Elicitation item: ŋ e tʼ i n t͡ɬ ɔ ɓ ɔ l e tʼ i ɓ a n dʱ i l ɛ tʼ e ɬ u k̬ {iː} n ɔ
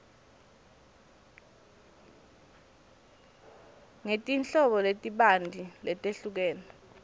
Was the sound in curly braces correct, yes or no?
no